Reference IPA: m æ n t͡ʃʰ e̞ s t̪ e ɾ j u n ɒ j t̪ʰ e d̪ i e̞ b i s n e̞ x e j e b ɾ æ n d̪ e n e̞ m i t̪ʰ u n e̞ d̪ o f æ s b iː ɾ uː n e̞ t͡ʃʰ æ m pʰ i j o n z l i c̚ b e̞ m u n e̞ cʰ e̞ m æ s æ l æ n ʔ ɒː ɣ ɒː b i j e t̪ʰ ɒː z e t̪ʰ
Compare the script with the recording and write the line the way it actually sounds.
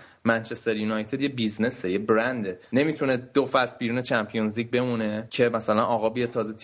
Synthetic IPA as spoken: m æ n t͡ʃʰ e̞ s t̪ e ɾ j u n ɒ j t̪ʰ e d̪ j e̞ b i z n e̞ s e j e b ɾ æ n d̪ e n e̞ m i t̪ʰ u n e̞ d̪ o f æ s b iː ɾ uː n e̞ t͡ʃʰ æ m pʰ i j o n z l i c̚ b e̞ m u n e̞ cʰ e̞ m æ s æ l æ n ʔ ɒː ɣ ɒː b i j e t̪ʰ ɒː z e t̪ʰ